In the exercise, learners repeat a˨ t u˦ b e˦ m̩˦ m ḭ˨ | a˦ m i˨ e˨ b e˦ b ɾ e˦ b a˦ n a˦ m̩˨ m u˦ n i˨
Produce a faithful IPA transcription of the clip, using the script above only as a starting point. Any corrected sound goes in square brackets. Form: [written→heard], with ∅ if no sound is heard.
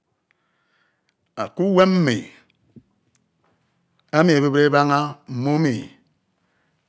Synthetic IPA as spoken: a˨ [t→k] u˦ [b→w] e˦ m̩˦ m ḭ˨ | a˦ m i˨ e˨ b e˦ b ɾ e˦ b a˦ [n→ŋ] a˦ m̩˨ m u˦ [n→m] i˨

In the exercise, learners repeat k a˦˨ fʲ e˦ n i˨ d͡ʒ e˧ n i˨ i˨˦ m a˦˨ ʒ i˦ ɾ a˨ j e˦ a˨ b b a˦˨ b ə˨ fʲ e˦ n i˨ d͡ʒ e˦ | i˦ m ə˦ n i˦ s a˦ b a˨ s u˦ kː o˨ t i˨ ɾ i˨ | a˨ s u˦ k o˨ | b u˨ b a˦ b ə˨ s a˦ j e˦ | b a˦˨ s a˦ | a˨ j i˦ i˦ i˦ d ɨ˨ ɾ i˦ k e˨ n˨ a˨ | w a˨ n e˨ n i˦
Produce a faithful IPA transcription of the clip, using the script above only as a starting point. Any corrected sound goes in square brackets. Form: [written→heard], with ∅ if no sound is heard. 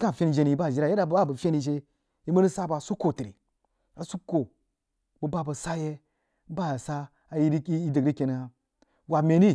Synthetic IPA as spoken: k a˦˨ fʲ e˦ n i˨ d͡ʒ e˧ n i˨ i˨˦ [m→b] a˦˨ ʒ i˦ ɾ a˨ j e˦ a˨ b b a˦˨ b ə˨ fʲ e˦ n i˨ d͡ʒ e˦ | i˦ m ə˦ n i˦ s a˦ b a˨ s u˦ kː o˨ t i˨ ɾ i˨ | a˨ s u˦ k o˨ | b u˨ b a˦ b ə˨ s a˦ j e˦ | b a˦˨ s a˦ | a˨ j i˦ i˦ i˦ d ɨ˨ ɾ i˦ k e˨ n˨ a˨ | w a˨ [n→m] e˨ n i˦

